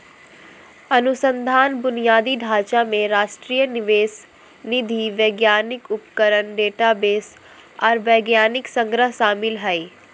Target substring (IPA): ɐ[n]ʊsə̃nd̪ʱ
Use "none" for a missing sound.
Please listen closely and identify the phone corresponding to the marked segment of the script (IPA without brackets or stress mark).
n